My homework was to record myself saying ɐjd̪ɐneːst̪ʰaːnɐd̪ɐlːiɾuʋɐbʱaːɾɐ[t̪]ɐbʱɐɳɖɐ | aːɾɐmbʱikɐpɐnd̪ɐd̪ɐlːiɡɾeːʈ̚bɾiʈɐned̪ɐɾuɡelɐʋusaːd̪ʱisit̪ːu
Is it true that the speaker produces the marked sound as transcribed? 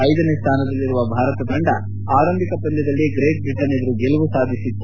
yes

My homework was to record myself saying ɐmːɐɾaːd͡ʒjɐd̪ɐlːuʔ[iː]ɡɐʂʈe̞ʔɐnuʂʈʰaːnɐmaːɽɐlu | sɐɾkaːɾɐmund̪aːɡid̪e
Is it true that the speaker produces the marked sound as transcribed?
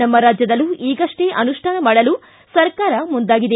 yes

